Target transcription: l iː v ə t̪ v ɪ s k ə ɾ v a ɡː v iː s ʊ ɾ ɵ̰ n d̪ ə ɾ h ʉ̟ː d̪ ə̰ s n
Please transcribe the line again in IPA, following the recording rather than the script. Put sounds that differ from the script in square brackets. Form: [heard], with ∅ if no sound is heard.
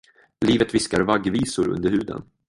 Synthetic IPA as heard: l iː v ə t̪ v ɪ s k [a] ɾ v a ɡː v iː s ʊ ɾ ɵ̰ n d̪ ə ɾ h ʉ̟ː d̪ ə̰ [∅] n